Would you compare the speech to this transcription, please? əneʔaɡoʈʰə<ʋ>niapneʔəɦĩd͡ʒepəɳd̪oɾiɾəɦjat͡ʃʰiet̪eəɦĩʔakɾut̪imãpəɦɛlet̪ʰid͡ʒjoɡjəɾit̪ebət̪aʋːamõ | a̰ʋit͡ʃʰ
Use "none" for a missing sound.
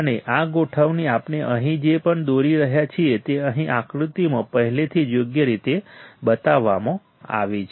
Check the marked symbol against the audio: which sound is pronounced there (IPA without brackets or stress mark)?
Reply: ʋ